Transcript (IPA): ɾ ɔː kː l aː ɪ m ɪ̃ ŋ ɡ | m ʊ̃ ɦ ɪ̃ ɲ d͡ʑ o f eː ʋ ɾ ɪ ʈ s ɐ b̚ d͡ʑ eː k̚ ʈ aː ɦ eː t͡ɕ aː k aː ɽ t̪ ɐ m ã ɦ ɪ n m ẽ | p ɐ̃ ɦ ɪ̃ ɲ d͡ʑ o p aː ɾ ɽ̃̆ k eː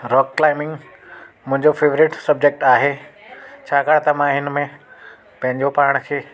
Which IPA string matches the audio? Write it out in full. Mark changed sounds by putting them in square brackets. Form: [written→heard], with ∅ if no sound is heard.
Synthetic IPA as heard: ɾ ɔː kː l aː ɪ m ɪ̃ ŋ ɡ | m ʊ̃ ɦ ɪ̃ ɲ d͡ʑ o f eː ʋ ɾ ɪ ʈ s ɐ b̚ d͡ʑ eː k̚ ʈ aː ɦ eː [t͡ɕ→t͡ɕʰ] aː k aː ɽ t̪ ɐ m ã ɦ ɪ n m ẽ | p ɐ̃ ɦ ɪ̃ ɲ d͡ʑ o p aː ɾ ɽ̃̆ [k→kʰ] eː